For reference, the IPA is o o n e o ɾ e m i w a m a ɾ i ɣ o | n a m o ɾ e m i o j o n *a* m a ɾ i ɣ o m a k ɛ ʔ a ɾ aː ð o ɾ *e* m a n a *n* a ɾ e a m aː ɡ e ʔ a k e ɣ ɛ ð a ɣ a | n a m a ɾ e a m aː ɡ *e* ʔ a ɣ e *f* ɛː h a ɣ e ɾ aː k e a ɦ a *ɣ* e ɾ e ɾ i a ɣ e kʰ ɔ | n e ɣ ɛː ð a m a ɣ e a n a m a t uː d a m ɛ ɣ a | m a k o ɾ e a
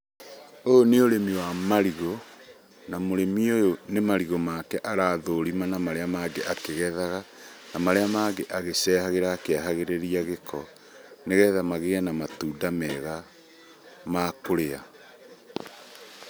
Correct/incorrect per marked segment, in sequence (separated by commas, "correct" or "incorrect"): incorrect, incorrect, incorrect, correct, incorrect, correct